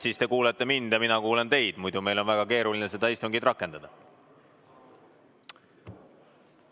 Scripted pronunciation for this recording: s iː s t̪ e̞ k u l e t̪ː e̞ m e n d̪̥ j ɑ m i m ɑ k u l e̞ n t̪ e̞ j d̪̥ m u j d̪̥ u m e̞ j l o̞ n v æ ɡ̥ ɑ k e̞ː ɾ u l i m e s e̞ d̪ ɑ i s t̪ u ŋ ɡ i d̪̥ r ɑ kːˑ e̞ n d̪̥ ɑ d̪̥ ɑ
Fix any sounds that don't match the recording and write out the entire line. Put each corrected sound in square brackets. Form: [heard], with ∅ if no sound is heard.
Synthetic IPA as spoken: s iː s t̪ e̞ k [uː] l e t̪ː e̞ m [i] n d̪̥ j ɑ m i [n] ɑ k [uː] l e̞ n t̪ e̞ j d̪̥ m u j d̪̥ u m e̞ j l o̞ n v æ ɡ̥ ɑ k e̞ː ɾ u l i [n] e s e̞ d̪ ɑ i s t̪ u ŋ ɡ i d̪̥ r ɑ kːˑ e̞ n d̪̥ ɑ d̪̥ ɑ